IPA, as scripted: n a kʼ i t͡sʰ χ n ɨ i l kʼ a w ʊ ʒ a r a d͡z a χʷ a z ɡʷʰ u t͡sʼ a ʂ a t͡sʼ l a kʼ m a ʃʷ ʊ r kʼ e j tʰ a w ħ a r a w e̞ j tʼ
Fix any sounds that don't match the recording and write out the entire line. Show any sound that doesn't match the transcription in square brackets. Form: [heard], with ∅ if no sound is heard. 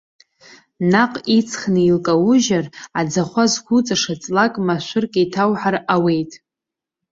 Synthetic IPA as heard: n a [qʼ] i t͡sʰ χ n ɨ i l kʼ a w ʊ ʒ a r a d͡z a χʷ a z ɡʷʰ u t͡sʼ a ʂ a t͡sʼ l a kʼ m a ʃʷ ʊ r kʼ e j tʰ a w ħ a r a w e̞ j tʼ